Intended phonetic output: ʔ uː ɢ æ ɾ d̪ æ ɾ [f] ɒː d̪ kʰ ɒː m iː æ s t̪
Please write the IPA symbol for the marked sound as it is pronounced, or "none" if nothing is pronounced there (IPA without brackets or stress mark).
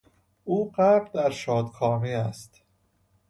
ʃ